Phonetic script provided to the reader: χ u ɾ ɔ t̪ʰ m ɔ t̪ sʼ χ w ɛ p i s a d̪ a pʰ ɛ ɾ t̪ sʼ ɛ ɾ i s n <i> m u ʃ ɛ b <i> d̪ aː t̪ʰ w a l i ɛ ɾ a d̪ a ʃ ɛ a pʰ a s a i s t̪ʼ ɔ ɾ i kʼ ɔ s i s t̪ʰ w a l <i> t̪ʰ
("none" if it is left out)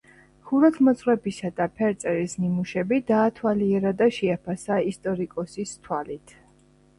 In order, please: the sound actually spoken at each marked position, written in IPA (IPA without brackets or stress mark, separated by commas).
i, i, i